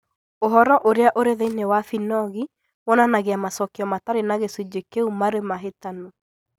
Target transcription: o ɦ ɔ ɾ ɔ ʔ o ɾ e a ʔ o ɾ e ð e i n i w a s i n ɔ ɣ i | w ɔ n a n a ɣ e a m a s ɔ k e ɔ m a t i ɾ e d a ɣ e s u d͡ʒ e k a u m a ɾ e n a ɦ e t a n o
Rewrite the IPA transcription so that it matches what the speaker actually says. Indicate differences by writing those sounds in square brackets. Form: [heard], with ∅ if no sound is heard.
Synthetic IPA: o ɦ ɔ ɾ ɔ ʔ o ɾ e a ʔ o ɾ e ð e i n [e] w a [f] i n ɔ ɣ i | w ɔ n a n a ɣ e a m a s ɔ k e ɔ m a t [a] ɾ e [n] a ɣ e s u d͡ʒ e k [e] u m a ɾ e [m] a ɦ e t a n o